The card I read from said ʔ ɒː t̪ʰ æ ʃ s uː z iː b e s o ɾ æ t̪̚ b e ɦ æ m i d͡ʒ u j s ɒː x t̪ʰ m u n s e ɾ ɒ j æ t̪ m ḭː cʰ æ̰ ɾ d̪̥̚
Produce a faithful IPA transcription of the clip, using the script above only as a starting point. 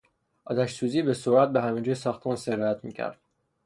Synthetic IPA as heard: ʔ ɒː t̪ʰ æ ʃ s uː z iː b e s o ɾ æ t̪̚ b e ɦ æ m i d͡ʒ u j s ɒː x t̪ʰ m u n s e ɾ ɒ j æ t̪ m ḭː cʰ æ̰ ɾ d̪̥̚

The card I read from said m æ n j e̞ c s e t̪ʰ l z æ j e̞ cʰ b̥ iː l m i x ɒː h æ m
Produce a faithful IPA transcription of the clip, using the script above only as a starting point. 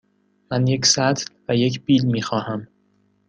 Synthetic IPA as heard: m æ n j e̞ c s æ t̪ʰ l v æ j e̞ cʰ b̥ iː l m iː x ɒː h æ m

